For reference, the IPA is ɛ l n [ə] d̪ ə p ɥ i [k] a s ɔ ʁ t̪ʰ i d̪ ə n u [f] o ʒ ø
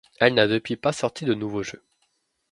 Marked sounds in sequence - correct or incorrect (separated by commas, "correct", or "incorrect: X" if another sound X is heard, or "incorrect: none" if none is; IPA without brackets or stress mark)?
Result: incorrect: a, incorrect: p, incorrect: v